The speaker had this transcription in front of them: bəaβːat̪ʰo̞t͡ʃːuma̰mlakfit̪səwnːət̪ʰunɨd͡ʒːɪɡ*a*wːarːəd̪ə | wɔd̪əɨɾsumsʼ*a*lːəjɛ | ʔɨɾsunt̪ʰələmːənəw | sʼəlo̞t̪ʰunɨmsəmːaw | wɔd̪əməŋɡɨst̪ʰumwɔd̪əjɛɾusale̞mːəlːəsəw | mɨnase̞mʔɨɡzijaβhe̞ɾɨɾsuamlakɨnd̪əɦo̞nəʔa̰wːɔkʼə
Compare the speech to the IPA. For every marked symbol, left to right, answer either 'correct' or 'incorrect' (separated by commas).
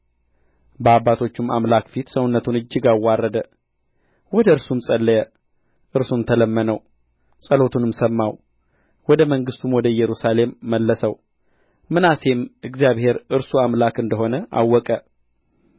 correct, incorrect